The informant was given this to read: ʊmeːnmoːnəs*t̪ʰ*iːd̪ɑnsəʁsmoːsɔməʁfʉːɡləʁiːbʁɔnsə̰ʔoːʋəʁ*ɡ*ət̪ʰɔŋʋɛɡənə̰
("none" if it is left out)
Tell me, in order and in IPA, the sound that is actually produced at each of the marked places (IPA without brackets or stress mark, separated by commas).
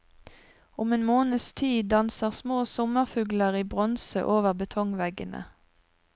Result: t̪ʰ, b